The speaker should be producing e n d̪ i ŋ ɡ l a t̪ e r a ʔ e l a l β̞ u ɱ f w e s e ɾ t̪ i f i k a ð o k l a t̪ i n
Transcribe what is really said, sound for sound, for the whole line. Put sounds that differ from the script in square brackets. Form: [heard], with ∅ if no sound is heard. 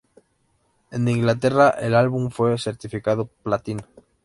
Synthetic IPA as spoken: e n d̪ i ŋ ɡ l a t̪ e r a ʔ e l a l β̞ u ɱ f w e s e ɾ t̪ i f i k a ð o [p] l a t̪ i n